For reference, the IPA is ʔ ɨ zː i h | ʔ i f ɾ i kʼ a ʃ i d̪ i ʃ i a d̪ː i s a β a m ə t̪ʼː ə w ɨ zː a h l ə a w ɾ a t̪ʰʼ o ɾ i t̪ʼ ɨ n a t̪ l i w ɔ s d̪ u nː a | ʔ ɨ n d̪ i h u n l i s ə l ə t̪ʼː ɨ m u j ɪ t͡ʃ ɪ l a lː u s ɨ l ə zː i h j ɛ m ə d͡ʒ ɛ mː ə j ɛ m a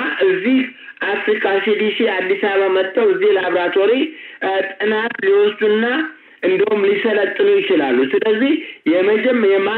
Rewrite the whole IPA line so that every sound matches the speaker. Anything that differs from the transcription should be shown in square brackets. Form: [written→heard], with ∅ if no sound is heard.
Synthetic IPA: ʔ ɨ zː i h | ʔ [i→a] f ɾ i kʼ a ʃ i d̪ i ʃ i a d̪ː i s a β a m ə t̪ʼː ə w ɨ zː [a→i] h l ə a [w→β] ɾ a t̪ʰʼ o ɾ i t̪ʼ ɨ n a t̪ l i w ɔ s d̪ u nː a | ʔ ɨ n d̪ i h u [n→m] l i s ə l ə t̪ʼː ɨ [m→n] u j ɪ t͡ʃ ɪ l a lː u s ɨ l ə zː i h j ɛ m ə d͡ʒ ɛ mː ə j ɛ m a